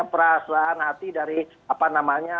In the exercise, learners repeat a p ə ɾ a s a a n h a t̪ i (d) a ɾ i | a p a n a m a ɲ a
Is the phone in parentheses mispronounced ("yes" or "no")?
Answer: no